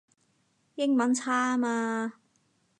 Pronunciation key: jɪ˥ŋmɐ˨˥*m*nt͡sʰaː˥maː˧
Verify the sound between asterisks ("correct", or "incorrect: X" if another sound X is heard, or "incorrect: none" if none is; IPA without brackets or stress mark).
incorrect: none